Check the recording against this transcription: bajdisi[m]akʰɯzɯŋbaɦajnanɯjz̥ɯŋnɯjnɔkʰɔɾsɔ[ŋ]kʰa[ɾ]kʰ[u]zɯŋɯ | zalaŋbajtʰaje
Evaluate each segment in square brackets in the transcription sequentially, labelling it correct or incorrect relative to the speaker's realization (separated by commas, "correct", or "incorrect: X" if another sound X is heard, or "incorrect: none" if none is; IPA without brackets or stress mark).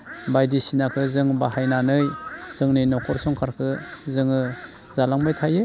incorrect: n, correct, correct, incorrect: ɯ